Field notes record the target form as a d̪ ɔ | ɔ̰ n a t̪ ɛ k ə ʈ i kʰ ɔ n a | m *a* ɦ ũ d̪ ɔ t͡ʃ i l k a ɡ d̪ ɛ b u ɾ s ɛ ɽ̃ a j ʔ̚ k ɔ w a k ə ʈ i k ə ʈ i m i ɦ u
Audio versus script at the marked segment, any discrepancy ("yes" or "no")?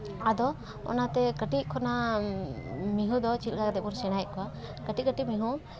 yes